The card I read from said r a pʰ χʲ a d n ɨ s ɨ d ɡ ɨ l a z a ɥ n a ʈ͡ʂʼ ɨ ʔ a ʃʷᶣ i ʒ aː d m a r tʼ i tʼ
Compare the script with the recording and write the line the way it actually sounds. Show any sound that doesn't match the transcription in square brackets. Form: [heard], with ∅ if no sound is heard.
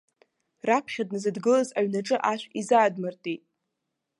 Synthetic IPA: r a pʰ χʲ a d n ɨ [z] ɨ d ɡ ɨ l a z a ɥ n a ʈ͡ʂʼ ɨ ʔ a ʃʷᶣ i [z] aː d m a r tʼ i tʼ